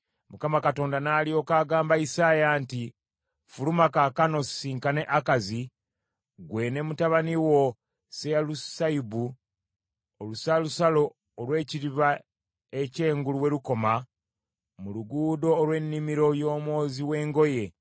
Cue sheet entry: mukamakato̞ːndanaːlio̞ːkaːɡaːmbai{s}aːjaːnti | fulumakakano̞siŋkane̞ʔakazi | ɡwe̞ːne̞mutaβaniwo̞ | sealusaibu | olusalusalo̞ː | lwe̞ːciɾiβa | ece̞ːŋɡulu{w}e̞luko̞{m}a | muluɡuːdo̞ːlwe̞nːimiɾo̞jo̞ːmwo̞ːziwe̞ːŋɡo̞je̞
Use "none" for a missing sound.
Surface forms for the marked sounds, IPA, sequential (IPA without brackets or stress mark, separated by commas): s, w, m